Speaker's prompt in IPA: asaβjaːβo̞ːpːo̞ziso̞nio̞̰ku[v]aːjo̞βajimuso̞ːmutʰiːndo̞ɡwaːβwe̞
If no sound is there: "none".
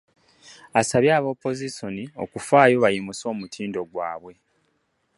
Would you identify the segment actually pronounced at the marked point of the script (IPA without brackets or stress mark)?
f